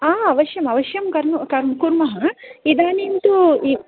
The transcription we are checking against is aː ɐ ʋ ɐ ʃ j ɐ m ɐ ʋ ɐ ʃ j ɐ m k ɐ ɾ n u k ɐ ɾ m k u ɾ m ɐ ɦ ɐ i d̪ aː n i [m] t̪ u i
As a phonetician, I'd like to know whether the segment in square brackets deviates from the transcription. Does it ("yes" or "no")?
yes